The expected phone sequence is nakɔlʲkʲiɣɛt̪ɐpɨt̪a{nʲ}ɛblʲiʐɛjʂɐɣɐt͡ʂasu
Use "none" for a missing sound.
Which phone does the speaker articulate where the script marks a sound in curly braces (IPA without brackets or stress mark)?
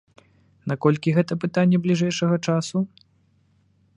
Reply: nʲː